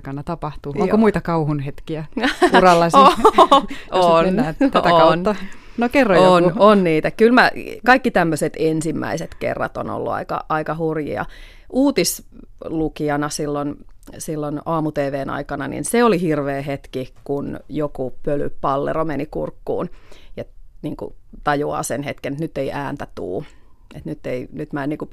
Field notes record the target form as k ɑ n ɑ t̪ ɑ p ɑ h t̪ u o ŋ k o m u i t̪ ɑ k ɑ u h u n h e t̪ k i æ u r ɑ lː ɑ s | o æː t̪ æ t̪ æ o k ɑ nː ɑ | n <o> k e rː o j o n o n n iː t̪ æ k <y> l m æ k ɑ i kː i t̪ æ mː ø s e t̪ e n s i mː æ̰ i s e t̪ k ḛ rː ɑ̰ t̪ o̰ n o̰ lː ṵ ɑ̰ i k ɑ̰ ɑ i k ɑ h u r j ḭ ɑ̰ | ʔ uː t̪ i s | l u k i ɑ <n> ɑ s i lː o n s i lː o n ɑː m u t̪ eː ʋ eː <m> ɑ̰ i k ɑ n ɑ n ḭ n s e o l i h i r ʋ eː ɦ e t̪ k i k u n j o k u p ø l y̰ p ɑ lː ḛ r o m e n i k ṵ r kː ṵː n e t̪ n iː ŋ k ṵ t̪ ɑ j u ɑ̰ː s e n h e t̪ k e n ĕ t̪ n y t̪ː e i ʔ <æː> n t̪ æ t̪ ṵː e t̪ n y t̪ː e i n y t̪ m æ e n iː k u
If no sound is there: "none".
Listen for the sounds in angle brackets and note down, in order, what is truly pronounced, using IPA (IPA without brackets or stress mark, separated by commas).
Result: o, y, n, n, æː